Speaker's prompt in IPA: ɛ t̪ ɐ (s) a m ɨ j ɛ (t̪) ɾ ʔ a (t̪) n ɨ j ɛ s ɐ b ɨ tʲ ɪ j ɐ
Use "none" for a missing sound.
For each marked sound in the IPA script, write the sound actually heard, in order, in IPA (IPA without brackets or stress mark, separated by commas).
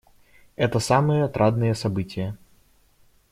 s, t̪, d̪